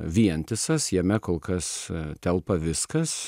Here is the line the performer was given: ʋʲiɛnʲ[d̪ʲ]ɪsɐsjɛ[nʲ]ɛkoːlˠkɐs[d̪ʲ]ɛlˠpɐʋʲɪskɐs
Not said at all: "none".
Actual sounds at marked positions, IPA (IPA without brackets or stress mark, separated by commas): t̪ʲ, mʲ, t̪ʲ